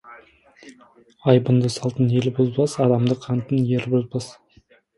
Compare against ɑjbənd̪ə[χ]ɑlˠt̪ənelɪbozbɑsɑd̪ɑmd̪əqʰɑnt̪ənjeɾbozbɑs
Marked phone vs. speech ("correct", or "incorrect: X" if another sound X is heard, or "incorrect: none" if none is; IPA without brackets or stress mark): incorrect: s